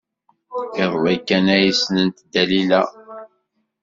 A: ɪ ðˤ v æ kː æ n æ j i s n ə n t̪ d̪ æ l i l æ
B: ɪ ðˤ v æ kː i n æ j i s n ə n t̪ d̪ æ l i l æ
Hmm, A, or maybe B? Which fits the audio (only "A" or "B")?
A